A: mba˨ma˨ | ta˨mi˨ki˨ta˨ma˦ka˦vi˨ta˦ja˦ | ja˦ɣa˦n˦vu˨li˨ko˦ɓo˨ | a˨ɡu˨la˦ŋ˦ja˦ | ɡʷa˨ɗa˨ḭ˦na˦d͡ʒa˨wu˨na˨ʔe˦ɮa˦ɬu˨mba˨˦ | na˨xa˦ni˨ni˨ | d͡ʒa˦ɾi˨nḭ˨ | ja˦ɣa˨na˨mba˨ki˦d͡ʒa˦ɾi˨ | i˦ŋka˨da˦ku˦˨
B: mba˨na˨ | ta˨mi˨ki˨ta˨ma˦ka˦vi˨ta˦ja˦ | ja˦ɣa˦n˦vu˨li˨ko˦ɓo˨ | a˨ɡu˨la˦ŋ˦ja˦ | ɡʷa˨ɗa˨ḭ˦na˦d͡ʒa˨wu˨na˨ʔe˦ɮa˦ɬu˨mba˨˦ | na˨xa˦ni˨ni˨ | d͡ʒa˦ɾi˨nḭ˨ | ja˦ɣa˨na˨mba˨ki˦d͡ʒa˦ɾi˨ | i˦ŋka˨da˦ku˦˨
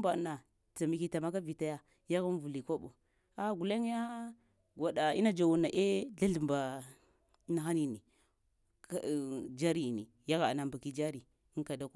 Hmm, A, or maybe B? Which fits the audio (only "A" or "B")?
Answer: B